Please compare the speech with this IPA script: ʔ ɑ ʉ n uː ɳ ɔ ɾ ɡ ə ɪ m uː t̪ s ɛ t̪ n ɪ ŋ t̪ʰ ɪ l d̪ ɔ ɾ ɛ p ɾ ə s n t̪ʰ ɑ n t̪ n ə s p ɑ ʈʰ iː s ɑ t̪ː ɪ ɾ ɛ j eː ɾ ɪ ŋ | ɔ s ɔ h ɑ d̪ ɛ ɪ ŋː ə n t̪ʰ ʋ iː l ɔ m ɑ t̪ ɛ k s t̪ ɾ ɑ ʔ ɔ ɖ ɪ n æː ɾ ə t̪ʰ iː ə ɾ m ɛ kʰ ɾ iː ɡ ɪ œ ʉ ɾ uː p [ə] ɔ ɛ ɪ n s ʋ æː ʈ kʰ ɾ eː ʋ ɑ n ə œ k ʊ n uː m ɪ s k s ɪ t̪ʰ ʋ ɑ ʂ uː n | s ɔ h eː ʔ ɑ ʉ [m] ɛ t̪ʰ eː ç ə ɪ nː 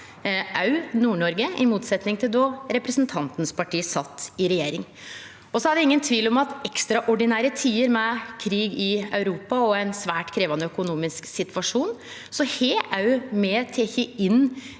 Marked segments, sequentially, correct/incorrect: incorrect: ɑ, correct

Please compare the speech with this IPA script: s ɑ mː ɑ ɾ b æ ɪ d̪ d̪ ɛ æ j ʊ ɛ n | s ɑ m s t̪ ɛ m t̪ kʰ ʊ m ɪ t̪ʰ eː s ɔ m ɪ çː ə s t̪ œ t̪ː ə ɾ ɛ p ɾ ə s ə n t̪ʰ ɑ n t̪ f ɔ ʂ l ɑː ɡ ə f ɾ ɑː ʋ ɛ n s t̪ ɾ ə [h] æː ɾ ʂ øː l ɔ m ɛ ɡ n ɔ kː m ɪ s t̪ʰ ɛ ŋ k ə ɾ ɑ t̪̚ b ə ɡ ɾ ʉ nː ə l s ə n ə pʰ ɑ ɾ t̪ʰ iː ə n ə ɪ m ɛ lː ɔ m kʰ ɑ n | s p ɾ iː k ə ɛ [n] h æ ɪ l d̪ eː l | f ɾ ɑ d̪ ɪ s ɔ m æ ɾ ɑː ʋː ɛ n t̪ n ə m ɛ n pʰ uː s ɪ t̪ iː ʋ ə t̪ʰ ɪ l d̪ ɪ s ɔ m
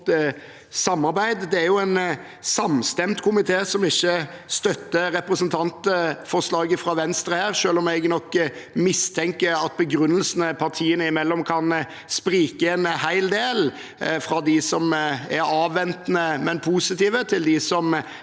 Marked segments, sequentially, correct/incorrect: correct, correct

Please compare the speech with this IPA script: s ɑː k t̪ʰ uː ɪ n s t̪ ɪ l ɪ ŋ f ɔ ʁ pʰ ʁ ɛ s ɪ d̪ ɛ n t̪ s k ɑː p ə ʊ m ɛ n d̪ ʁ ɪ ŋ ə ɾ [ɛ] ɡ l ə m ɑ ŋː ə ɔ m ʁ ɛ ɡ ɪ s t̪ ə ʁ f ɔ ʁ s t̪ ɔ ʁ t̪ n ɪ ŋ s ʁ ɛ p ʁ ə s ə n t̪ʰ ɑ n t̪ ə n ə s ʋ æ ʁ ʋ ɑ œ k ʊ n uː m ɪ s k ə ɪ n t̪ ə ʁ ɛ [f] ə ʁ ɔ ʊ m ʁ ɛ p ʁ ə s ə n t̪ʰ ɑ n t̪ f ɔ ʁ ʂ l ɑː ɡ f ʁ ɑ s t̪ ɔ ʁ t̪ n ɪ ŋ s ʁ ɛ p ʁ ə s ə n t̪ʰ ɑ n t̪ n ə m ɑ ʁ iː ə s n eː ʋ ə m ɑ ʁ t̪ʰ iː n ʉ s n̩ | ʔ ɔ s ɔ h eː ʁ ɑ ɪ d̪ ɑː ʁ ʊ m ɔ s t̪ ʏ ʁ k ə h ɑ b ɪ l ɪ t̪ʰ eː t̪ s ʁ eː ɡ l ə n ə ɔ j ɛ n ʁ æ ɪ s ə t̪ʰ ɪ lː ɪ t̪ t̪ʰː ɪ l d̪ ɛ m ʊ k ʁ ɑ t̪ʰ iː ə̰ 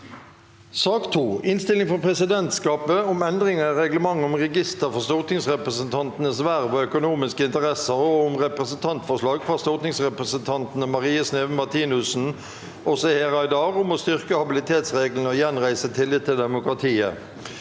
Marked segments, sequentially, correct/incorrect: correct, incorrect: s

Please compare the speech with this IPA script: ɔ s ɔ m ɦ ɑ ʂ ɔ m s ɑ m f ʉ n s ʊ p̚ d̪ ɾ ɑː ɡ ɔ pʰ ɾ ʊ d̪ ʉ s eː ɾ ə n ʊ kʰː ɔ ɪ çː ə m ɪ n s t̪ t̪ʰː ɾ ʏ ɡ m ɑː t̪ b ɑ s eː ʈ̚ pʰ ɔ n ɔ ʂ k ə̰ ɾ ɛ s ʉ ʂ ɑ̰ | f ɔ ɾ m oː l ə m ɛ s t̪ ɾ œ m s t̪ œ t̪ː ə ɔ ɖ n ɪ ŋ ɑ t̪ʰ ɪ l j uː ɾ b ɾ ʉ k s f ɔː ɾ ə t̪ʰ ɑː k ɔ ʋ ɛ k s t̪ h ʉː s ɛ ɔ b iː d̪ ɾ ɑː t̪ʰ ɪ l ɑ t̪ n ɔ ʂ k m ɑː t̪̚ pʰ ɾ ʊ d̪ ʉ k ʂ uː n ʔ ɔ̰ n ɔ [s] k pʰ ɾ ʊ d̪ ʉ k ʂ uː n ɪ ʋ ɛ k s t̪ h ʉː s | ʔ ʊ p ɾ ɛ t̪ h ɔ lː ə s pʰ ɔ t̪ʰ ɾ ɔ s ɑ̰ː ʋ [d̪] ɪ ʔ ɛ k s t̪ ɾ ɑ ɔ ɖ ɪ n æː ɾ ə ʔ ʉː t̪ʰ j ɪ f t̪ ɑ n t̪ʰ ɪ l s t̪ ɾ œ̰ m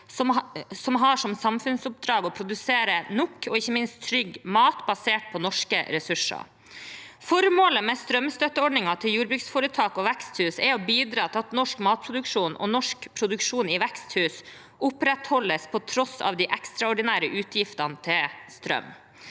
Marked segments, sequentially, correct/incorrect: incorrect: ʂ, correct

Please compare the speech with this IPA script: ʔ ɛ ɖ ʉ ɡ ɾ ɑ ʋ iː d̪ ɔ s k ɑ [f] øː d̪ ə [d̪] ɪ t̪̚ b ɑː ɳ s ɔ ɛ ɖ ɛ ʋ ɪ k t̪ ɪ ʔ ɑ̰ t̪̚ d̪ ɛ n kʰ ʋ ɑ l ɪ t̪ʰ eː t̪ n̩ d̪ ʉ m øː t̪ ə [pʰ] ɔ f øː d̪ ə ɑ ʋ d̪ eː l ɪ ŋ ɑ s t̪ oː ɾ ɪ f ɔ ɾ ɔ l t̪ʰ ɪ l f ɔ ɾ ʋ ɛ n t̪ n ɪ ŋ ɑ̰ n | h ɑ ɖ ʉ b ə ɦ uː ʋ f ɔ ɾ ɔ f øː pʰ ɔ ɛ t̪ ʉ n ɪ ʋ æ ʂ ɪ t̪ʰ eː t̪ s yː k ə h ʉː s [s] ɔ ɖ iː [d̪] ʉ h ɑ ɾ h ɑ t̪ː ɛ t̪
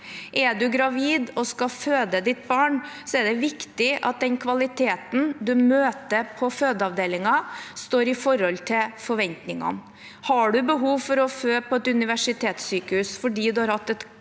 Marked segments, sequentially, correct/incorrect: correct, correct, correct, incorrect: f, correct

